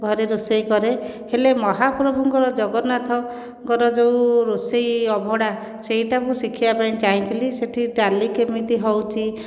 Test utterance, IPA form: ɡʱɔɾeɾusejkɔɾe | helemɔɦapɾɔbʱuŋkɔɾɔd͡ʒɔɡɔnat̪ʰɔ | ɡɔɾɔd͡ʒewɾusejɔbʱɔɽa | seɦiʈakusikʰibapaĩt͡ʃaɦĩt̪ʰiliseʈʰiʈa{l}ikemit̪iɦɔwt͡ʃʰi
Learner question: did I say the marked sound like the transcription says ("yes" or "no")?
yes